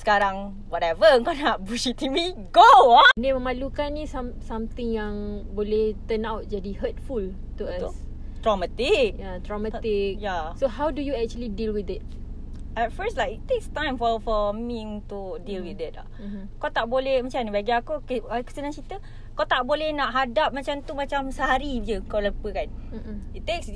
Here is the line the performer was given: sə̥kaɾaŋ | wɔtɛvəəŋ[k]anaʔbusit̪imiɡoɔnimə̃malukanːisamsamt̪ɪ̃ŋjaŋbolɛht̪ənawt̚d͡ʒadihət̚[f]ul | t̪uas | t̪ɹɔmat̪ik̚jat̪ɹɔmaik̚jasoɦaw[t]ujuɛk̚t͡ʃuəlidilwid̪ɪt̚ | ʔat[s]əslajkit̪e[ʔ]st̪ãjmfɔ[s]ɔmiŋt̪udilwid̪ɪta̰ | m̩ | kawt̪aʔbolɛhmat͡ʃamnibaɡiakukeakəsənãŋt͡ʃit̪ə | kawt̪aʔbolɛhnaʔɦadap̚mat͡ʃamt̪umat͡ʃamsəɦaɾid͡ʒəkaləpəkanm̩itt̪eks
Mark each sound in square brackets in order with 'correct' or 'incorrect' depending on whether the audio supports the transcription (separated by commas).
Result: correct, correct, incorrect, incorrect, incorrect, incorrect